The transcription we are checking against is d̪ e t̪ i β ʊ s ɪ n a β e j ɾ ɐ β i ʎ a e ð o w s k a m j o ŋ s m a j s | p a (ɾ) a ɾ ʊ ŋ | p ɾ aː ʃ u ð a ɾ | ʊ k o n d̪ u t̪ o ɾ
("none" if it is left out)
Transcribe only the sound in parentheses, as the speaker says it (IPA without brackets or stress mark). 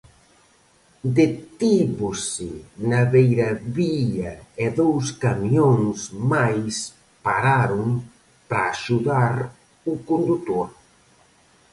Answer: ɾ